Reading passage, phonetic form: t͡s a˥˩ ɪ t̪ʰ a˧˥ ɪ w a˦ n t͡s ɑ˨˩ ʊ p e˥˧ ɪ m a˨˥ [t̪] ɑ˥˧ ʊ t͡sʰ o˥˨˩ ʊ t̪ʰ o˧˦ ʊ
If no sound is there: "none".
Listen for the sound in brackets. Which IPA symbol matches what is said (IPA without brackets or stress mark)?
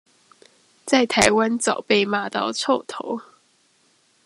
t̪